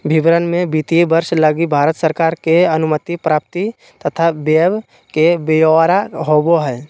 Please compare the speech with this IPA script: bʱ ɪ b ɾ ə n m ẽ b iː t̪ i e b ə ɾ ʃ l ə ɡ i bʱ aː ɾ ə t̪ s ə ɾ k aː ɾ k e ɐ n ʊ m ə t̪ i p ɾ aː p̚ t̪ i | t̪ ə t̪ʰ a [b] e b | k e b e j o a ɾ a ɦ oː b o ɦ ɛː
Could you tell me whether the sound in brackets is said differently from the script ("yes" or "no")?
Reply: no